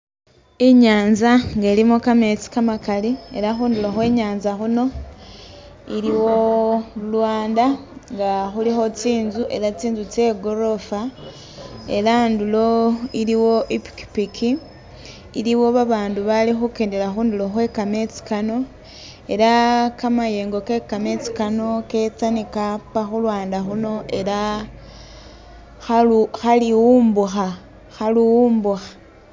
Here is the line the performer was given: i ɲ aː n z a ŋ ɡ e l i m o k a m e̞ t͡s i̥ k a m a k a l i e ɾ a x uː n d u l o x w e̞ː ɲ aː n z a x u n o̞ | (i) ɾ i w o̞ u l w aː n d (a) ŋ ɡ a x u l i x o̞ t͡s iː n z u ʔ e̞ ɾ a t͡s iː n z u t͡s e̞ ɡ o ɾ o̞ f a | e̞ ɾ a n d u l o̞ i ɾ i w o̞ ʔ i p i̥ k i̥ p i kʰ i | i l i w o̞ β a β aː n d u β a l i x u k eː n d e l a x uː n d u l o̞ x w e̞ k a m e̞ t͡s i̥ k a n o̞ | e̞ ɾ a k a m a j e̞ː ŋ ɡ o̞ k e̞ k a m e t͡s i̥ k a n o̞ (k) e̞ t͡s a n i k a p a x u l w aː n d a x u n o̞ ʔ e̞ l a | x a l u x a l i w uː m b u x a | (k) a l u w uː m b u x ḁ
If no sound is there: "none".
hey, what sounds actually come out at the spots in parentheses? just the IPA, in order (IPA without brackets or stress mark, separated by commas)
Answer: i, a, k, x